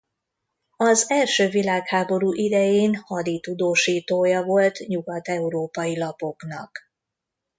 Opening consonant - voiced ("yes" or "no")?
yes